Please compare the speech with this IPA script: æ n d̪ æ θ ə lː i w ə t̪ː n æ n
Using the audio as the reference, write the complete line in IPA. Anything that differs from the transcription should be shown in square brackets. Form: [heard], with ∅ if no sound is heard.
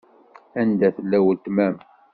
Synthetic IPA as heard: æ n d̪ æ θ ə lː [æ] w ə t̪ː [m] æ [m]